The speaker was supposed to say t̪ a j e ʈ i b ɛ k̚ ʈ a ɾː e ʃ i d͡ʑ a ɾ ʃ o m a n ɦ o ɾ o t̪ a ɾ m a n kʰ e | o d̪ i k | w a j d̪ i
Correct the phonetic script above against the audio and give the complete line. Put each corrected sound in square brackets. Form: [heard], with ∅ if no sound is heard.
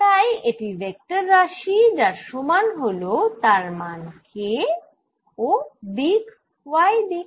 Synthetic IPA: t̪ a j e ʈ i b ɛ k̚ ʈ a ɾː [a] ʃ i d͡ʑ a ɾ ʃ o m a n ɦ o [l] o t̪ a ɾ m a n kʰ e | o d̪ i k | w a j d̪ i